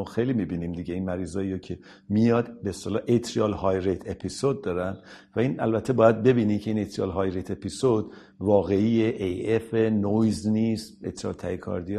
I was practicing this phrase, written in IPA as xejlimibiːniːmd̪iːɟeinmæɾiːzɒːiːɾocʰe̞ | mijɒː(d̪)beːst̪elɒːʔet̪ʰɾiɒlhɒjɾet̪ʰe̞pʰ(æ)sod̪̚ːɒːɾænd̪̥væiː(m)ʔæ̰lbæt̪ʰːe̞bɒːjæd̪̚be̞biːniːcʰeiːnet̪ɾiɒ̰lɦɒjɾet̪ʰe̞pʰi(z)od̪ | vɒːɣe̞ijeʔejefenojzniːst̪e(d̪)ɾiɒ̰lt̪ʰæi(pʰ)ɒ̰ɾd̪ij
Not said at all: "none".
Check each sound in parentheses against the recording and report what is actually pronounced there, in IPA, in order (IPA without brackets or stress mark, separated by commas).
d̪, i, n, s, t̪, kʰ